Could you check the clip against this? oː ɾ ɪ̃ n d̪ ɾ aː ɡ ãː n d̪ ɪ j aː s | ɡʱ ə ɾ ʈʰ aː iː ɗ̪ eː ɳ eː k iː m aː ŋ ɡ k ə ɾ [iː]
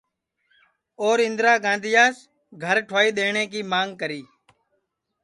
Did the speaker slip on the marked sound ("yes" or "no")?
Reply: no